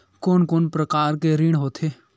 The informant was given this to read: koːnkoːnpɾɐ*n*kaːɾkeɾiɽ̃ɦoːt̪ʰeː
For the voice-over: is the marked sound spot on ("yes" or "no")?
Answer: no